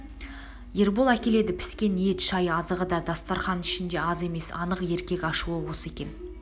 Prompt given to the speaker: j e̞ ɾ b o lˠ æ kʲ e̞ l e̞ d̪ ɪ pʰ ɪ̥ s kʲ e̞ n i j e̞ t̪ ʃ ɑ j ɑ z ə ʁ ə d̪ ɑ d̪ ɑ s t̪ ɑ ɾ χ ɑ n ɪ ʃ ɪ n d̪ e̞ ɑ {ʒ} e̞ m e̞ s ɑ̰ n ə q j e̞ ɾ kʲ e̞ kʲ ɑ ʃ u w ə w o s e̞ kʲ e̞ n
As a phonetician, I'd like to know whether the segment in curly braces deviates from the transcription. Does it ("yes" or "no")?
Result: yes